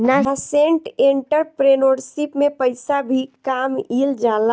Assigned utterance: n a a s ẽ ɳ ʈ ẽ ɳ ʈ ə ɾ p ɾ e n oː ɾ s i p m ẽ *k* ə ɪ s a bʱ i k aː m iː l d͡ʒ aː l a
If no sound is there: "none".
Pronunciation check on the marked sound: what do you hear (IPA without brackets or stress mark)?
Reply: p